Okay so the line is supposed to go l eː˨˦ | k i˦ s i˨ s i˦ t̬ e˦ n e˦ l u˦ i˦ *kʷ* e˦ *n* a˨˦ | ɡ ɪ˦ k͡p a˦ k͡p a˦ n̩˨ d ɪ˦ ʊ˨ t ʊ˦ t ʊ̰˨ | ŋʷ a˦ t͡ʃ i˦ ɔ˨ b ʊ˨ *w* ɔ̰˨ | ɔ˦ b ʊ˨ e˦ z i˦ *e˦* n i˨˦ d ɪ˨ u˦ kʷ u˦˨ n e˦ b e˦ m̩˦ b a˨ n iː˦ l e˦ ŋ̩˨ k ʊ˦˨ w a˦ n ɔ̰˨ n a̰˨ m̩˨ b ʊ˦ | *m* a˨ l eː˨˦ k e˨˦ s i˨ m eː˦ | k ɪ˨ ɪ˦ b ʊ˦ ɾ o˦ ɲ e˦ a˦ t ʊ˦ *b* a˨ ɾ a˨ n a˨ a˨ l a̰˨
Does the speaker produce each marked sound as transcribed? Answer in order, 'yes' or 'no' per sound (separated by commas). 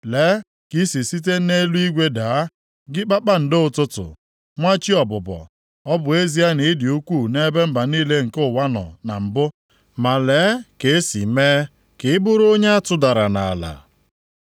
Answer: no, no, no, no, yes, no